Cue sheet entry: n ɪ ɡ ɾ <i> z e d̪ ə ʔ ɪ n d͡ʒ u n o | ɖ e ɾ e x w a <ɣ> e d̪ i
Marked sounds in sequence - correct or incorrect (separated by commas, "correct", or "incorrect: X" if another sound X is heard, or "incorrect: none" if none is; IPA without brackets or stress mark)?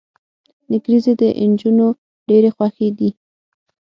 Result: correct, incorrect: x